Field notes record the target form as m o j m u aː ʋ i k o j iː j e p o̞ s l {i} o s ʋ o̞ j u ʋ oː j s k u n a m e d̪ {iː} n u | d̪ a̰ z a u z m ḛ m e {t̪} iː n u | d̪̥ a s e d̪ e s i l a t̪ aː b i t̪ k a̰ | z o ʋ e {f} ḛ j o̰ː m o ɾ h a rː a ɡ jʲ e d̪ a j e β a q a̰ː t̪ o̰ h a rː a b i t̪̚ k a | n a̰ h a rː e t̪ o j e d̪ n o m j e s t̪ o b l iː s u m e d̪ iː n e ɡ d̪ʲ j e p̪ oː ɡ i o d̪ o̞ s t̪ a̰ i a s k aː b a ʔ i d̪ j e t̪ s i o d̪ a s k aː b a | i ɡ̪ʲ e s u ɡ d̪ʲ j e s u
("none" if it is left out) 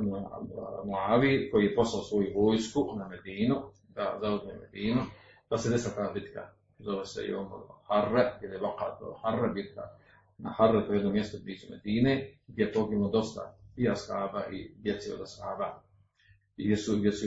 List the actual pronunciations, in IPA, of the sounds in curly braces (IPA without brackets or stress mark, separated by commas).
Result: a, iː, d̪, s